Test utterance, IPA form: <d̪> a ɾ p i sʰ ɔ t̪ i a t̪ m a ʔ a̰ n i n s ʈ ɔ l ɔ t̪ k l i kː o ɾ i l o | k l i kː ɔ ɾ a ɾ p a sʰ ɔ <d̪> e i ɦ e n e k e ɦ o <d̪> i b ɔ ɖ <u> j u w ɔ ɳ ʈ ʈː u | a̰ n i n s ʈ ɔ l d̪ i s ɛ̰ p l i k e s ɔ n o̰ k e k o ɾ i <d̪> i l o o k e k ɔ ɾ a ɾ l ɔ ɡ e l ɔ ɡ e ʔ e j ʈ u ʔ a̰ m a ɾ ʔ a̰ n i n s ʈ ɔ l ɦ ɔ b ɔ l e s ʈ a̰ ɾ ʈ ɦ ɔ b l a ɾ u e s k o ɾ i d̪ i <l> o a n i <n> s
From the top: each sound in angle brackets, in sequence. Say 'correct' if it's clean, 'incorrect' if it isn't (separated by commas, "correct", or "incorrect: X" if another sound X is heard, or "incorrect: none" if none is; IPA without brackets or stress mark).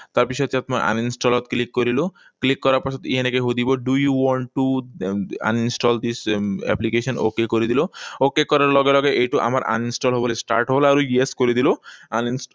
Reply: incorrect: t̪, incorrect: t̪, correct, correct, correct, correct, correct